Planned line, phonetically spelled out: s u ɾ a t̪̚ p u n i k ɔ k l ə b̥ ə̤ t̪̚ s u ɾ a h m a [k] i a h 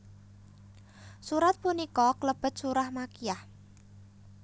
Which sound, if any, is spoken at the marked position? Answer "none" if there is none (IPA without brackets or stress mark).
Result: k